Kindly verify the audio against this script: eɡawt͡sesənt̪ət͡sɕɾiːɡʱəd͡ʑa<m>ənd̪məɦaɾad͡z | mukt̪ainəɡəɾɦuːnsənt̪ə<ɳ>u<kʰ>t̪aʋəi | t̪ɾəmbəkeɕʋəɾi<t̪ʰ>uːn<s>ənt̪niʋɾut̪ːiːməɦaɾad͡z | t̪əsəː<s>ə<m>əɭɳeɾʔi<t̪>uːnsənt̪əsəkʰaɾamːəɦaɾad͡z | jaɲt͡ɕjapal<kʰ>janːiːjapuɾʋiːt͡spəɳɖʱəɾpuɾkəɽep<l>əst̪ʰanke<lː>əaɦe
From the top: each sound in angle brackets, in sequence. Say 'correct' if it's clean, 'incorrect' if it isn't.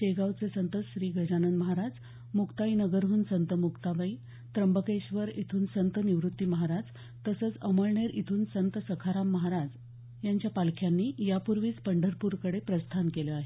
incorrect: n, incorrect: m, incorrect: k, correct, correct, incorrect: t͡s, correct, incorrect: t̪ʰ, correct, incorrect: ɾ, incorrect: l

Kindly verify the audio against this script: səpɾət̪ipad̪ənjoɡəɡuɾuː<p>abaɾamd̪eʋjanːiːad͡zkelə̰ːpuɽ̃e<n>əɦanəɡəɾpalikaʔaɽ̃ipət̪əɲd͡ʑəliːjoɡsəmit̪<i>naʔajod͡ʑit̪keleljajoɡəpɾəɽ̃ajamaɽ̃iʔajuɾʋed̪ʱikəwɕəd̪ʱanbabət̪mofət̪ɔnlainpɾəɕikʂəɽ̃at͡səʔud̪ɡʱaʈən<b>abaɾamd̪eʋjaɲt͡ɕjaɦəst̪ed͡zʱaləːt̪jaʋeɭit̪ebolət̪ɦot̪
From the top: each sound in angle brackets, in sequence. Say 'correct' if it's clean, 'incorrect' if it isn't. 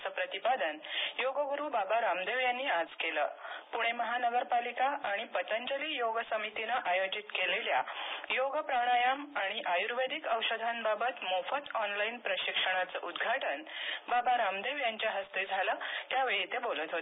incorrect: b, incorrect: m, correct, correct

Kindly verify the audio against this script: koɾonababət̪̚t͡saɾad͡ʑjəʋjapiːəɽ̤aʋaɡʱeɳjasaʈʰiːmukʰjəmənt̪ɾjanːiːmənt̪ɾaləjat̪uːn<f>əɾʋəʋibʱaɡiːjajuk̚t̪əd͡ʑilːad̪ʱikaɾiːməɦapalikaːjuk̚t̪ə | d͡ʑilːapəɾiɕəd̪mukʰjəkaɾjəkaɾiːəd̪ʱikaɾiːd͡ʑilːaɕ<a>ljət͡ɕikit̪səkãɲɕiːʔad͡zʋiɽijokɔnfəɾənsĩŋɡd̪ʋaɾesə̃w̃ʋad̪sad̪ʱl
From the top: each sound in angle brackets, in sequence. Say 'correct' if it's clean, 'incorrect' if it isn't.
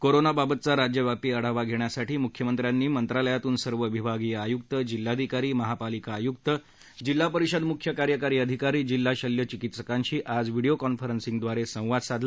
incorrect: s, incorrect: ə

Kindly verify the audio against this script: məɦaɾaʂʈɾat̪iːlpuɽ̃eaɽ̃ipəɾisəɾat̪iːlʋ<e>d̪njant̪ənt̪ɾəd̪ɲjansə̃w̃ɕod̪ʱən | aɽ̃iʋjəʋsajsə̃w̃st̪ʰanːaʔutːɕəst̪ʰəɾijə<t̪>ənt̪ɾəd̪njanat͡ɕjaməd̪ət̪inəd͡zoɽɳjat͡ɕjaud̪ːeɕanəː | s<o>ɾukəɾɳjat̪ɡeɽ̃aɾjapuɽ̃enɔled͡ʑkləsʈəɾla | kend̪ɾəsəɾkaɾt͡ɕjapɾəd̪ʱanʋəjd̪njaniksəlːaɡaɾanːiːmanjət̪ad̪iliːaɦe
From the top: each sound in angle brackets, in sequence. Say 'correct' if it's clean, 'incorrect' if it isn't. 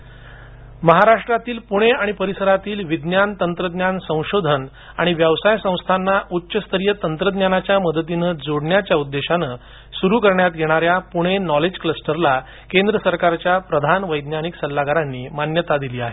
incorrect: i, correct, incorrect: u

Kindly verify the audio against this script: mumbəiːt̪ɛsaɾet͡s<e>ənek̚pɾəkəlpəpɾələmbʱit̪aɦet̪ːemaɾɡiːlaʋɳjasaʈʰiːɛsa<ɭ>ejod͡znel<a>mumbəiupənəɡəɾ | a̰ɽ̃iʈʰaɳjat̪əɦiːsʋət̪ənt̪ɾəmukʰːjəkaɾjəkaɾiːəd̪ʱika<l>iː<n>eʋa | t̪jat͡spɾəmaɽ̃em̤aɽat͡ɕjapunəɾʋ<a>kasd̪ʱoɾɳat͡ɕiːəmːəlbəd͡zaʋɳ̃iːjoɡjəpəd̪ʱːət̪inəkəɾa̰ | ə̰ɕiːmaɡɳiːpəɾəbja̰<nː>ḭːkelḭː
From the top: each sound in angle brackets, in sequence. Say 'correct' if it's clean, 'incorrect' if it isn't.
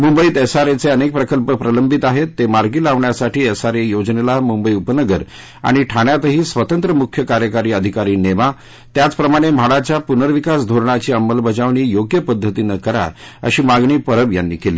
correct, incorrect: ɾ, correct, incorrect: ɾ, correct, incorrect: i, correct

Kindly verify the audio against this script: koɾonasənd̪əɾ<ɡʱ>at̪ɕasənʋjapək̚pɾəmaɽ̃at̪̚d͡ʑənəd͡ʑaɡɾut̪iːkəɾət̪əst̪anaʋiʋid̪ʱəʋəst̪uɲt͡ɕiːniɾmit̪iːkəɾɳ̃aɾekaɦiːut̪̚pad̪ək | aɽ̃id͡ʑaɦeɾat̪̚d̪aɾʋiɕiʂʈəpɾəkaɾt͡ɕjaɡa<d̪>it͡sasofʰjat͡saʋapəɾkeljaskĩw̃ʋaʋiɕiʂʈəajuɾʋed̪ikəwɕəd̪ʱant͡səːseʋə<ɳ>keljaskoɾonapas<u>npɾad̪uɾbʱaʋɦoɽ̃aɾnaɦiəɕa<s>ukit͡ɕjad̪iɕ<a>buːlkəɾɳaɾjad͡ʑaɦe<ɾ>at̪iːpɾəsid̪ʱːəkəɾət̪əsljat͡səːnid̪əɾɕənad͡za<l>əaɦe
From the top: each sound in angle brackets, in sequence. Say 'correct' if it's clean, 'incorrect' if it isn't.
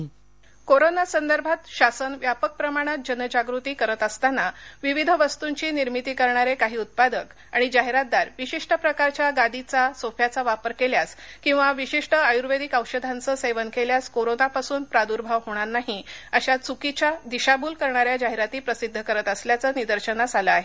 incorrect: bʱ, correct, incorrect: n, incorrect: uː, incorrect: t͡s, correct, correct, correct

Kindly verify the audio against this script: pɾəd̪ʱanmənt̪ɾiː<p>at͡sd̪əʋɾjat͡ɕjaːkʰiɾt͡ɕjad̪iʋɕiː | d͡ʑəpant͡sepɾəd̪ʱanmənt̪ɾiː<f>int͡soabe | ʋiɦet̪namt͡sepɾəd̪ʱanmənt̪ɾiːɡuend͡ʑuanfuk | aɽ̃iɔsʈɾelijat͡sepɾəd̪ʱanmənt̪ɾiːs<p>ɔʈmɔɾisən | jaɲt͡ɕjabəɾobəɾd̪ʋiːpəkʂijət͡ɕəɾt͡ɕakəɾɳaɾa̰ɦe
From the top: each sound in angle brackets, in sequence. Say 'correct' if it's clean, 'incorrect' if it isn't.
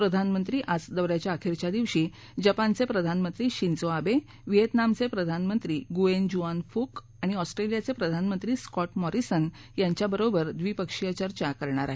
incorrect: ʔ, incorrect: ɕ, incorrect: k

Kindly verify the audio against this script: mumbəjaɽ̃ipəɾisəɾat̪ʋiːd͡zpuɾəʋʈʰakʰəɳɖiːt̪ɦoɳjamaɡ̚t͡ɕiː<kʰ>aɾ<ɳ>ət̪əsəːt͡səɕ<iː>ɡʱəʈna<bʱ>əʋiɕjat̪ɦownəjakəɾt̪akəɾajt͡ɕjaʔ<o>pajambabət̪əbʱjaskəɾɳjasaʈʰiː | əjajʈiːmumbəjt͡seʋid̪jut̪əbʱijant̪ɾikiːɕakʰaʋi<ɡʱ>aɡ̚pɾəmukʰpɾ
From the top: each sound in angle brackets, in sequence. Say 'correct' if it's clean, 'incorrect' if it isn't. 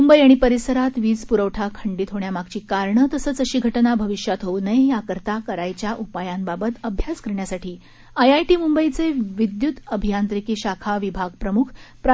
incorrect: k, correct, correct, correct, incorrect: u, incorrect: bʱ

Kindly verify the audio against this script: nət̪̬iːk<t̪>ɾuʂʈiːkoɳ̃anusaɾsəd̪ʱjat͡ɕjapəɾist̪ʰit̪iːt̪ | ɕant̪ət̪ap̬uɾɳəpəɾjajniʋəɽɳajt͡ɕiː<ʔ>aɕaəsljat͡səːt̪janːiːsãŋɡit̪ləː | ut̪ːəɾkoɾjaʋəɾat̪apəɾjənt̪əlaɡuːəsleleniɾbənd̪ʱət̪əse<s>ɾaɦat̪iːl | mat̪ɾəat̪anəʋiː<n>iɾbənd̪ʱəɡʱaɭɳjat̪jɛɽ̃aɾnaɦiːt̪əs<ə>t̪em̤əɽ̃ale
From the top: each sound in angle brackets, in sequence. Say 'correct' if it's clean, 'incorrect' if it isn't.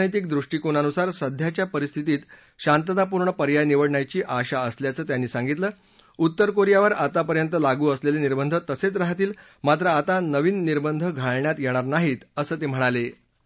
incorrect: d̪, correct, incorrect: t͡s, incorrect: nː, incorrect: əː

